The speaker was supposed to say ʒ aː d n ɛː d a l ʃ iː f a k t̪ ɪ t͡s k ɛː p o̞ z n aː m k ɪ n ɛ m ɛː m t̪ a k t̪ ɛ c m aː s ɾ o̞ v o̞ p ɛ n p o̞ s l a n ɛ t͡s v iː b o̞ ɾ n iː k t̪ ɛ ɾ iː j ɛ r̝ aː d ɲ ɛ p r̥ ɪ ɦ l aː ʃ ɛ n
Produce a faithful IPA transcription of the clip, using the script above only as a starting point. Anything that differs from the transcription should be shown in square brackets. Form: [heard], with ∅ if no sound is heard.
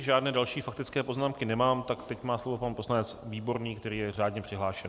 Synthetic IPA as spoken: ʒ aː d n ɛː d a l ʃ iː f a k t̪ ɪ t͡s k ɛː p o̞ z n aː m k ɪ n ɛ m [aː] m t̪ a k t̪ ɛ c m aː s [l] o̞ v o̞ p [a] n p o̞ s l a n ɛ t͡s v iː b o̞ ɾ n iː k t̪ ɛ ɾ iː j ɛ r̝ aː d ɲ ɛ p r̥ ɪ ɦ l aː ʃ ɛ n